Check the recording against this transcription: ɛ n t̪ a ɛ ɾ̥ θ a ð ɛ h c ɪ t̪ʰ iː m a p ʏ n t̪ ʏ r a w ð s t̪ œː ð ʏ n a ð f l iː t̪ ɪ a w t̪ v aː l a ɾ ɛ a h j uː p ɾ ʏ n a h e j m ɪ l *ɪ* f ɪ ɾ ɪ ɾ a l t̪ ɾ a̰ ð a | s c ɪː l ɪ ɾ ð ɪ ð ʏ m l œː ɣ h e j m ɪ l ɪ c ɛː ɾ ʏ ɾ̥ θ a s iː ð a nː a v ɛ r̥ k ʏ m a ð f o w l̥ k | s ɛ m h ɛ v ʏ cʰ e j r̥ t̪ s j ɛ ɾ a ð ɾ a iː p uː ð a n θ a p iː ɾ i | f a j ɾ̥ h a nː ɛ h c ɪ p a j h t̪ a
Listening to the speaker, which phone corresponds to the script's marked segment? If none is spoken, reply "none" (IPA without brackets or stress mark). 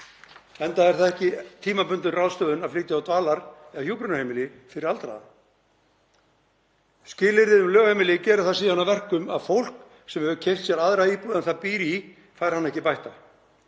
ɪ